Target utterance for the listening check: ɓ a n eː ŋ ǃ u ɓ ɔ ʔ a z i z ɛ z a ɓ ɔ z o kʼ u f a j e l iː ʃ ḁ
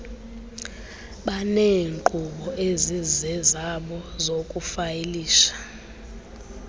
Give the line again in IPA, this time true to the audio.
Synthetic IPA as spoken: ɓ a n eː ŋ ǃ u ɓ ɔ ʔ e z i z ɛ z a ɓ ɔ z o kʼ u f a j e l iː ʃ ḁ

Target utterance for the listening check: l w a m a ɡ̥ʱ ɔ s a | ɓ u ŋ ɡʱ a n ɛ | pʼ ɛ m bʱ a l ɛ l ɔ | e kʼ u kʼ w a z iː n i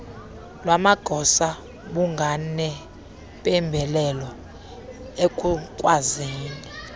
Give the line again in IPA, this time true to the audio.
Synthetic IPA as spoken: l w a m a ɡ̥ʱ ɔ s a | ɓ u ŋ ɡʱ a n ɛ | pʼ ɛ m bʱ ɛ l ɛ l ɔ | e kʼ u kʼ w a z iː n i

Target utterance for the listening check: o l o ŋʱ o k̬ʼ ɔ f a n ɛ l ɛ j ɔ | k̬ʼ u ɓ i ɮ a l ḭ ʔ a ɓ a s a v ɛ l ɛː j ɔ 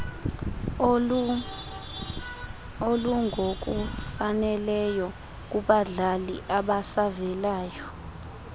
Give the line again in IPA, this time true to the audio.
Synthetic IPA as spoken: o l u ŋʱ o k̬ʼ u f a n ɛ l ɛ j ɔ | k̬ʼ u ɓ a ɮ a l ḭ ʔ a ɓ a s a v ɛ l aː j ɔ

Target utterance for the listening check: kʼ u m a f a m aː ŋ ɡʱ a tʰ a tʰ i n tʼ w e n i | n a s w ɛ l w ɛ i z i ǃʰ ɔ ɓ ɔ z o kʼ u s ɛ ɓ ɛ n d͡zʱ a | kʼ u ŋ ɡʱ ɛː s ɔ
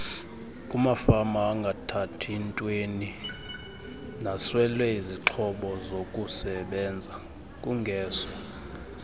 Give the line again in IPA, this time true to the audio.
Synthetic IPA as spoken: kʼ u m a f a m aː ŋ ɡʱ a tʰ a tʰ i n tʼ w e n i | n a s w ɛ l w ɛ i z i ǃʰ ɔ ɓ ɔ z o kʼ u s ɛ ɓ ɛ n d͡zʱ a | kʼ u ŋ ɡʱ ɛː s ɔ

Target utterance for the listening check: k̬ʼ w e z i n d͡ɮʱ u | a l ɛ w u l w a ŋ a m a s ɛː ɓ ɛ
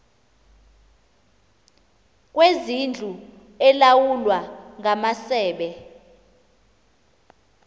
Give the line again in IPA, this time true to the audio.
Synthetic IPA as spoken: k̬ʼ w e z i n d͡ɮʱ u | ɛ l a w u l w a ŋ a m a s ɛː ɓ ɛ

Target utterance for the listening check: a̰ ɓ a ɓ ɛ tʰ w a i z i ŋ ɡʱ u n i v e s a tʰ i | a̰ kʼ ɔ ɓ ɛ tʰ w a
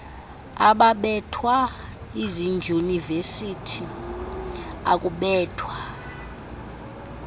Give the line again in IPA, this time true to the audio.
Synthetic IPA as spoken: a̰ ɓ a ɓ ɛ tʰ w a i z i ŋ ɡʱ u n i v e s i tʰ i | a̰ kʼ u ɓ ɛː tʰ w a

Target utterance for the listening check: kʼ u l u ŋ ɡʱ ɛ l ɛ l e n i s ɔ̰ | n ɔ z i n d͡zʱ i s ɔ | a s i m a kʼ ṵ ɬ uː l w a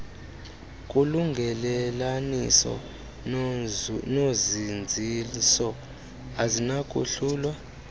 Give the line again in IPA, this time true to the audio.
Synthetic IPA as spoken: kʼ u l u ŋ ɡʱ ɛ l ɛ l a n i s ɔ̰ | n o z i n d͡zʱ i s ɔ | a z i n a kʼ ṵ ɬ uː l w a

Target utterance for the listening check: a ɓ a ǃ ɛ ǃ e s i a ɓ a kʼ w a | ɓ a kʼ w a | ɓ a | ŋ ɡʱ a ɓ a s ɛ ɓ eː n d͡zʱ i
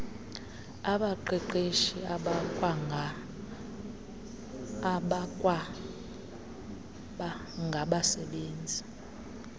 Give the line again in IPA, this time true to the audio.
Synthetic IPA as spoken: a ɓ a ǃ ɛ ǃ e ʃ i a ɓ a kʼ w a | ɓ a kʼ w a | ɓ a | ŋ ɡʱ a ɓ a s ɛ ɓ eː n d͡zʱ i

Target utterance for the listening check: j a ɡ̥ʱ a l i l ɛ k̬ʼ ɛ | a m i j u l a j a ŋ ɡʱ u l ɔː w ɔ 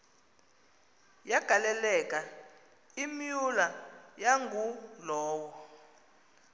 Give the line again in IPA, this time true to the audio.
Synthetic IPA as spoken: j a ɡ̥ʱ a l ɛ l ɛ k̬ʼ a | i m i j u l a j a ŋ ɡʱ u l ɔː w ɔ

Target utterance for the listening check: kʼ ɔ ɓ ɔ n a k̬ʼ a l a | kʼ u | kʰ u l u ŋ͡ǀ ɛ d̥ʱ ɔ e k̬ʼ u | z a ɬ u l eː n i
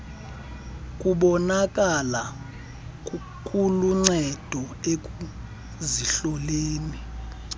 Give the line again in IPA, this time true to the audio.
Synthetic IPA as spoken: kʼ u ɓ ɔ n a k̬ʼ a l a | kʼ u | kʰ u l u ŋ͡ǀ ɛ d̥ʱ ɔ e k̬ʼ u | z i ɬ ɔ l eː n i

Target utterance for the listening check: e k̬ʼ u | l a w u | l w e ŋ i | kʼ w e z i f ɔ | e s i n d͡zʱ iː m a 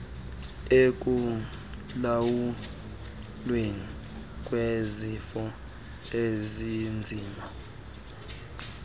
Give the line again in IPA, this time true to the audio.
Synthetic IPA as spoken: e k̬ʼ u | l a w u | l w e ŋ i | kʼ w e z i f ɔ | e z i n d͡zʱ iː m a

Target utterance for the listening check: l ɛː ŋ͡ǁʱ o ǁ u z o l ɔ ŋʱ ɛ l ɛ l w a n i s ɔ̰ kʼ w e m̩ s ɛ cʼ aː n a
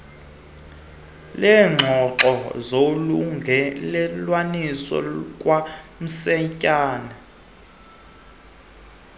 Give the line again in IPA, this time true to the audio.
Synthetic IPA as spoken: l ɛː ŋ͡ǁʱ ɔ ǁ ɔ z o l u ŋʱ ɛ l ɛ l w a n i s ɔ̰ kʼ w a m̩ s ɛ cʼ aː n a

